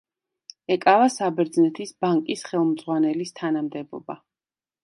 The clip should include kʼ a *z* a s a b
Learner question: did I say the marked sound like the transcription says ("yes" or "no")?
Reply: no